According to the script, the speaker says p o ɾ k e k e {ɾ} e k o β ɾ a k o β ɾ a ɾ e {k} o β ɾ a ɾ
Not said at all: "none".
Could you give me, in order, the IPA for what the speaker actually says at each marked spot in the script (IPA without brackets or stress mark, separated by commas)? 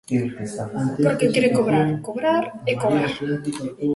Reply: ɾ, k